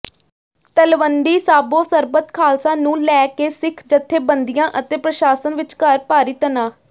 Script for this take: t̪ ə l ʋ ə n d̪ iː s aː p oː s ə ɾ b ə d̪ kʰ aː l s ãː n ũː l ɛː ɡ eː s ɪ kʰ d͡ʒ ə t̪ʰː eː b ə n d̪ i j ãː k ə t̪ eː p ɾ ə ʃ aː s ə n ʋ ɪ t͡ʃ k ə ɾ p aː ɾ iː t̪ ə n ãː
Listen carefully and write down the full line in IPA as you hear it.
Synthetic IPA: t̪ ə l ʋ ə n d̪ iː s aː b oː s ə ɾ b ə t̪ kʰ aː l s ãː n ũː l ɛː k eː s ɪ kʰ d͡ʒ ə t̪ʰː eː b ə n d̪ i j ãː ʔ ə t̪ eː p ɾ ə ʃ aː s ə n ʋ ɪ t͡ʃ k ə ɾ p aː ɾ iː t̪ ə n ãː